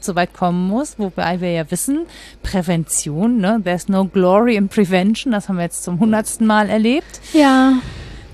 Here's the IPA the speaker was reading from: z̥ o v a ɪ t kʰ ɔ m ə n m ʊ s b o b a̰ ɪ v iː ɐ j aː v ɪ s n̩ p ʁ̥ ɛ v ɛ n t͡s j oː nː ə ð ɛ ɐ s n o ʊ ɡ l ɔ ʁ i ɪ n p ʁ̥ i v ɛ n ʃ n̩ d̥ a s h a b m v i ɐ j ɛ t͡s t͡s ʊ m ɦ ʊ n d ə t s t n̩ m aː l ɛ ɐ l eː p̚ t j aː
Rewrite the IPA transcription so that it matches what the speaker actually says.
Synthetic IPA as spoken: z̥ o v a ɪ t kʰ ɔ m ə n m ʊ s v o b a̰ ɪ v iː ɐ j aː v ɪ s n̩ p ʁ̥ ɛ v ɛ n t͡s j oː nː ə ð ɛ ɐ s n o ʊ ɡ l ɔ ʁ i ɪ n p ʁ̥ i v ɛ n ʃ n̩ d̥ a s h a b m v i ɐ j ɛ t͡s t͡s ʊ m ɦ ʊ n d ɐ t s t n̩ m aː l ɛ ɐ l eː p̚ t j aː